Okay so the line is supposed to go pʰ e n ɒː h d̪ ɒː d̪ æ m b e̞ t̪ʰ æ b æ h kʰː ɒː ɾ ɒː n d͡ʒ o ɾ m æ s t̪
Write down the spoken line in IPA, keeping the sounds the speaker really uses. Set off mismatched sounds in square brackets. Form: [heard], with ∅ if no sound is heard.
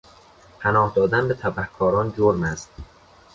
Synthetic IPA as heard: pʰ [æ] n ɒː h d̪ ɒː d̪ æ [n] b e̞ t̪ʰ æ b æ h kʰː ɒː ɾ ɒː n d͡ʒ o ɾ m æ s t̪